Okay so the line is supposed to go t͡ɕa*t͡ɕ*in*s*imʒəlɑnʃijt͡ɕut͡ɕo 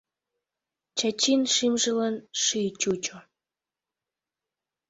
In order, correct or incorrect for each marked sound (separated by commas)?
correct, incorrect